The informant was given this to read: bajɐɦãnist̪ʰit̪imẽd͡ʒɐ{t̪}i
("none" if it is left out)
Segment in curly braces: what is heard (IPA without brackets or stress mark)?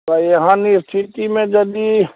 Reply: d̪